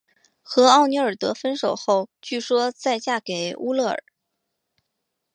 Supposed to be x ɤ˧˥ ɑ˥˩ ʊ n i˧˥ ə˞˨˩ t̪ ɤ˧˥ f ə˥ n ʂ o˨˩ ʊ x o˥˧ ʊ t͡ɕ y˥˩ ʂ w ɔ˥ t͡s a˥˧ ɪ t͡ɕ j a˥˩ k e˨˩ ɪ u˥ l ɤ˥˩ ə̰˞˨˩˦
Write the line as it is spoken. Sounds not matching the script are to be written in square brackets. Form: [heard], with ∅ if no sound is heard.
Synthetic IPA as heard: x ɤ˧˥ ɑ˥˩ ʊ n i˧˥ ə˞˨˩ t̪ ɤ˧˥ f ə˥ n ʂ o˨˩ ʊ x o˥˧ ʊ t͡ɕ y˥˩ ʂ w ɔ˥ t͡s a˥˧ ɪ t͡ɕ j a˥˩ k e˨˩ ɪ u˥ l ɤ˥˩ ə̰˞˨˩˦